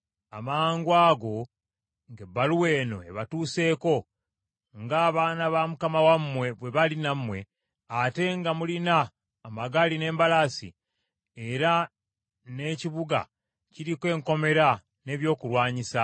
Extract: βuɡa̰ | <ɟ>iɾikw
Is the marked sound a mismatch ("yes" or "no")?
yes